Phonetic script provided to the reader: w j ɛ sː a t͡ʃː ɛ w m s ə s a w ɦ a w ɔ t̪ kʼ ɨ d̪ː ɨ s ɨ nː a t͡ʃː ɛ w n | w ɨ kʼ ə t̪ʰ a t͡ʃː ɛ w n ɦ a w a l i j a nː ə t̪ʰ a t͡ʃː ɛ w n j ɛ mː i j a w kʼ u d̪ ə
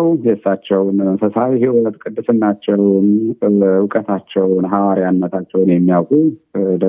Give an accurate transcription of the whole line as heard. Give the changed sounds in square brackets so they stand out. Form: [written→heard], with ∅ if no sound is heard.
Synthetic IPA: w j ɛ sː a t͡ʃː ɛ w [m→n] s ə s a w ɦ [a→i] w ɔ t̪ kʼ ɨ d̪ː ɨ s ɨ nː a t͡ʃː ɛ w n | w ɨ kʼ ə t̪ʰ a t͡ʃː ɛ w n ɦ a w a [l→ɾ] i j a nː ə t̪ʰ a t͡ʃː ɛ w n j ɛ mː i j a w kʼ u d̪ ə